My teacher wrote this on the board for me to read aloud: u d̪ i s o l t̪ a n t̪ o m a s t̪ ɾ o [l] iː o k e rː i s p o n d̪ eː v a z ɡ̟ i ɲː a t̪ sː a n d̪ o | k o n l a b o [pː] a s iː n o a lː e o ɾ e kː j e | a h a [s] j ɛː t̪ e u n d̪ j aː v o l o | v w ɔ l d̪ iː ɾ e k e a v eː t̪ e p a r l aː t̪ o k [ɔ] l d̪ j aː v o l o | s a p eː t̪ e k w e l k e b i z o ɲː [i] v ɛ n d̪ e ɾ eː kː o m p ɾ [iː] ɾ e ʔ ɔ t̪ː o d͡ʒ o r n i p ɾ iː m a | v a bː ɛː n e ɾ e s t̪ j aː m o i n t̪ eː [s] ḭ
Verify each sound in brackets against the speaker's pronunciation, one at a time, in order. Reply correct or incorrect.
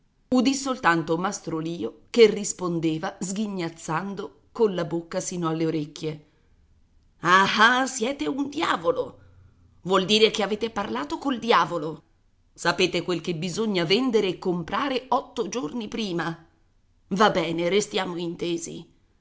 correct, incorrect: kː, correct, incorrect: o, incorrect: a, incorrect: aː, incorrect: z

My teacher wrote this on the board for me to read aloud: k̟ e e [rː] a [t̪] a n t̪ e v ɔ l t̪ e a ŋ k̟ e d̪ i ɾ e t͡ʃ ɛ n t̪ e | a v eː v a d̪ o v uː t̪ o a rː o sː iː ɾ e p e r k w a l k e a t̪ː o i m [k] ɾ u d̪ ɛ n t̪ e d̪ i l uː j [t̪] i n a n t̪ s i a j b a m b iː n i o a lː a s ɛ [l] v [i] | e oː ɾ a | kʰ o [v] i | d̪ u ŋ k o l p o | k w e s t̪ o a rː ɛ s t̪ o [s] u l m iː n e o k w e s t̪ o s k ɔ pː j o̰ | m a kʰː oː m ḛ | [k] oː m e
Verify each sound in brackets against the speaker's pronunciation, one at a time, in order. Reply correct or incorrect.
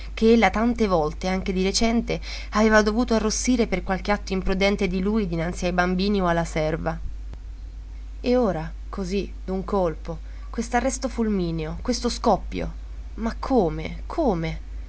incorrect: lː, correct, incorrect: p, incorrect: d̪, incorrect: r, incorrect: a, incorrect: z, incorrect: f, incorrect: kʰ

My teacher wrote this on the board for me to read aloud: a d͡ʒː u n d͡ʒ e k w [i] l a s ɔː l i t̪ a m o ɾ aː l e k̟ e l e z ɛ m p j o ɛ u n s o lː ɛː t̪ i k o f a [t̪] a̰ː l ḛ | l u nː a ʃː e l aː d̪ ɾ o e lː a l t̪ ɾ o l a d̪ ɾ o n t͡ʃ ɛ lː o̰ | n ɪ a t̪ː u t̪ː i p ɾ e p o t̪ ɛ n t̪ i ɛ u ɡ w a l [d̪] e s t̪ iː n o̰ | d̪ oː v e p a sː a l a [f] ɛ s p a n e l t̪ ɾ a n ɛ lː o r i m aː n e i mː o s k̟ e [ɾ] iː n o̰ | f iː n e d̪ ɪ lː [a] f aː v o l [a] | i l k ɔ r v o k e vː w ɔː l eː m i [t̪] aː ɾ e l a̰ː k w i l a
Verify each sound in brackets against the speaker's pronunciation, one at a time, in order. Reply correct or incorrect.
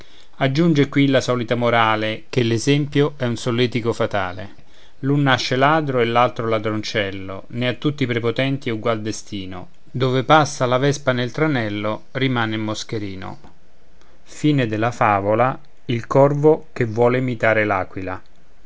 correct, correct, correct, incorrect: v, correct, correct, correct, correct

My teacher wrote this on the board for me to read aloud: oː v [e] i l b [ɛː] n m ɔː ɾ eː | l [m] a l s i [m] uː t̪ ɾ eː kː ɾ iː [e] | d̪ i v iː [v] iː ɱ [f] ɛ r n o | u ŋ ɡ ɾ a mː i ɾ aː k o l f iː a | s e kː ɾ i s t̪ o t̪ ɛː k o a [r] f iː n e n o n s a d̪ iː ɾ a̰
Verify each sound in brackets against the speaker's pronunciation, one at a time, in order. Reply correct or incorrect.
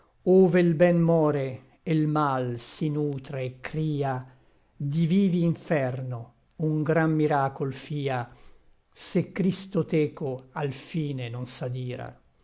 correct, incorrect: ɛ, correct, incorrect: n, incorrect: a, correct, correct, incorrect: l

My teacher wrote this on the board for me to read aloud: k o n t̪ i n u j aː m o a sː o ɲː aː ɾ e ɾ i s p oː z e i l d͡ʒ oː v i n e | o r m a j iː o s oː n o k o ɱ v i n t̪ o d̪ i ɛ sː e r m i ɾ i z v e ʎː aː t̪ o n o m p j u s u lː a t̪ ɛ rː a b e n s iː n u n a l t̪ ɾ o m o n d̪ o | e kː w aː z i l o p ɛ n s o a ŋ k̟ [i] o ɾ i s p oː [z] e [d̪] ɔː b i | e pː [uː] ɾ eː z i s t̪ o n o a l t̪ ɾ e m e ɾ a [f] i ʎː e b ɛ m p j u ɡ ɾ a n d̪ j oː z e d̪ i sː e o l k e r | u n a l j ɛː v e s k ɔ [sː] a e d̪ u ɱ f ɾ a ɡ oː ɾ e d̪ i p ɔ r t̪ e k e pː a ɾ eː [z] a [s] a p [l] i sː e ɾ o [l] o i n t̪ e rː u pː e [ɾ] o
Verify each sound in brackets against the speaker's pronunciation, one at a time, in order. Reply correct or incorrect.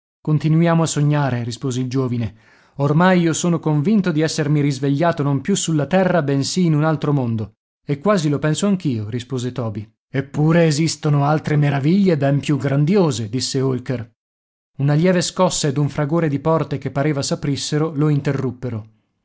incorrect: iː, correct, incorrect: t̪, correct, incorrect: v, correct, incorrect: v, correct, incorrect: ɾ, correct, correct

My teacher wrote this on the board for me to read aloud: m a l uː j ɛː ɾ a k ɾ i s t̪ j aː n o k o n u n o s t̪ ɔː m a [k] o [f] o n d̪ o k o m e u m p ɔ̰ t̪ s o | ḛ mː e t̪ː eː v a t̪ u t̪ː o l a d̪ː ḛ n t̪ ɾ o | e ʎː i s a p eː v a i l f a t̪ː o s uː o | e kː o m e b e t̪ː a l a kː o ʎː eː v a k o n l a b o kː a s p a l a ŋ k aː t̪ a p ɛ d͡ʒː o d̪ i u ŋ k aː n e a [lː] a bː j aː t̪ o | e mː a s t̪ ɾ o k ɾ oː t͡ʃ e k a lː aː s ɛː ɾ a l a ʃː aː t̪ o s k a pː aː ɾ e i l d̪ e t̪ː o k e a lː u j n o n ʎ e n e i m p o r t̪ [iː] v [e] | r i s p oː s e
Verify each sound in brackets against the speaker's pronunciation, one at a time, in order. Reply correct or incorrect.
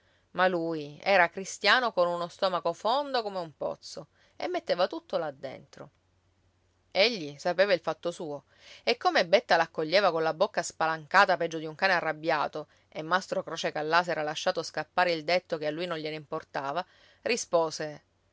correct, correct, incorrect: rː, incorrect: aː, incorrect: a

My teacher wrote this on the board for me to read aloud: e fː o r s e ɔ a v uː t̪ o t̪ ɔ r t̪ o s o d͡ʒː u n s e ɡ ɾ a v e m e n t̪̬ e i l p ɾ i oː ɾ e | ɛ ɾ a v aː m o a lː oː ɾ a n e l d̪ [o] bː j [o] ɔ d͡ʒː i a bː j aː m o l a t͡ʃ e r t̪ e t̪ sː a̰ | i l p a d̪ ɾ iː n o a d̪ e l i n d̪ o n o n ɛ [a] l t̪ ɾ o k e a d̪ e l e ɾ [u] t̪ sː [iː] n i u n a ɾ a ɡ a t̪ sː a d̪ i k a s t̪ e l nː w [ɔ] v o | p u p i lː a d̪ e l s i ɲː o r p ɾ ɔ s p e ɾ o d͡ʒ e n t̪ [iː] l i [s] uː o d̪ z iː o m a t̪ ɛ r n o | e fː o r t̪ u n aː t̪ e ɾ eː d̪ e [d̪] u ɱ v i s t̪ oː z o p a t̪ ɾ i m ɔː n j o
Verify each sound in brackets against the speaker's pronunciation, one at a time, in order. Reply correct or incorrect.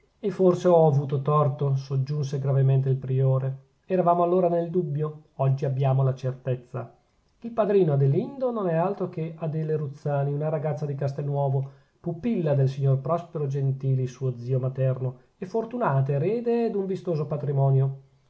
incorrect: u, correct, correct, correct, incorrect: aː, incorrect: ɔː, correct, correct, correct

